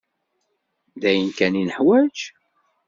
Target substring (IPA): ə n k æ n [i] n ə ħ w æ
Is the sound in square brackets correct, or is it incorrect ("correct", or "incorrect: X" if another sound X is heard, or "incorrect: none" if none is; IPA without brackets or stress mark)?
correct